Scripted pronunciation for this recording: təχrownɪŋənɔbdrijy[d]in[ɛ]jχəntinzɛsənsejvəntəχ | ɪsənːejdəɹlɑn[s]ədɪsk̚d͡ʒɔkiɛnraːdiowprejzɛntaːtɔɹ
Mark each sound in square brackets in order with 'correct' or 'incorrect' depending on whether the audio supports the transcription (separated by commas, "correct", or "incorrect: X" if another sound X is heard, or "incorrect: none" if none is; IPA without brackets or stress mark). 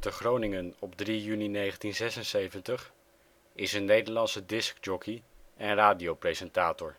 incorrect: n, incorrect: e, correct